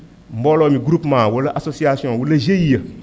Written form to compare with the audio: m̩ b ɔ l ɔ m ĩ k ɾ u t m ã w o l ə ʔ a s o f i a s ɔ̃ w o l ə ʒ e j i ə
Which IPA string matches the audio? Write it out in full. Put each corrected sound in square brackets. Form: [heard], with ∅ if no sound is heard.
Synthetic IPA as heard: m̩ b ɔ l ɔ m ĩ [ɡ] ɾ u [p] m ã w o l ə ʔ a s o [s] i a s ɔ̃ w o l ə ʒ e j i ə